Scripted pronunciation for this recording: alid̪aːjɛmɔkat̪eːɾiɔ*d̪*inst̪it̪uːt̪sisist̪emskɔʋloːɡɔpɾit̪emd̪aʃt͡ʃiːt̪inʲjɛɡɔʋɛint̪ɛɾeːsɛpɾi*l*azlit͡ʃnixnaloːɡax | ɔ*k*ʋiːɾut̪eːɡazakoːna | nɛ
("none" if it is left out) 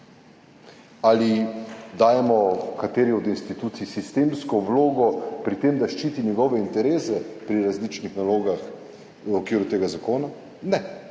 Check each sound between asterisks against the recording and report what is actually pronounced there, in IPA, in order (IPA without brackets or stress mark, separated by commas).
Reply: d̪, ɾ, k